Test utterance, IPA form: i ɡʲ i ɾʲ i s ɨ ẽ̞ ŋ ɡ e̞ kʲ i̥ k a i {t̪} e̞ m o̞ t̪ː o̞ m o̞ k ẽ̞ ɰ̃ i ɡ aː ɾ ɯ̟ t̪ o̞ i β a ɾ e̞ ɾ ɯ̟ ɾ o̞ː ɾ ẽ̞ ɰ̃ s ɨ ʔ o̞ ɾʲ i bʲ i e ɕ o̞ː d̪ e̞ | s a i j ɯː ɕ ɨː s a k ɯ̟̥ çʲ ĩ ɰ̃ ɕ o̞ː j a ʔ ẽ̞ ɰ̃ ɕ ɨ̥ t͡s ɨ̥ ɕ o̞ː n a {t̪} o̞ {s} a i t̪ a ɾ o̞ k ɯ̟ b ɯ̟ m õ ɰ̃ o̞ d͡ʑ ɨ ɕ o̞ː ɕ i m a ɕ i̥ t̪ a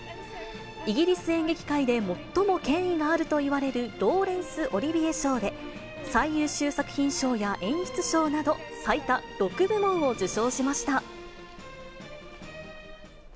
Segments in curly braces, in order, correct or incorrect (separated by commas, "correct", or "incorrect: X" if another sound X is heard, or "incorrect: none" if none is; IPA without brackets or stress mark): incorrect: d̪, incorrect: d̪, correct